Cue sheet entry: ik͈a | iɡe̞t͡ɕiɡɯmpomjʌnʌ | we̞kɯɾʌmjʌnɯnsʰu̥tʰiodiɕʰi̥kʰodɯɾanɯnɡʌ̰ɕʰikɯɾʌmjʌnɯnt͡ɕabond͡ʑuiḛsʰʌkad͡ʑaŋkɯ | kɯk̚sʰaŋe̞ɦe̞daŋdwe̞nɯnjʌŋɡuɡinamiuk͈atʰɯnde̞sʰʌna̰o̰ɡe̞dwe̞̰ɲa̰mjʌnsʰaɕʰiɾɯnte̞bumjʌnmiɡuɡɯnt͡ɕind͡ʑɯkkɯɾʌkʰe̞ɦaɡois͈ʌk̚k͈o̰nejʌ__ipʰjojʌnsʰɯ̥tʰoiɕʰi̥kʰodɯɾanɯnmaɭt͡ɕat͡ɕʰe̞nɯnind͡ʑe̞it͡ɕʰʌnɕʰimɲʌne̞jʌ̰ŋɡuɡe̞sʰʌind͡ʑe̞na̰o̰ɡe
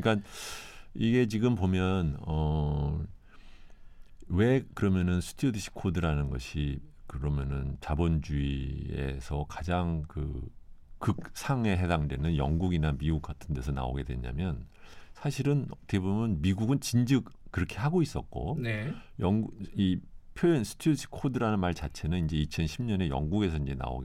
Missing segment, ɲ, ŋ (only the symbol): ŋ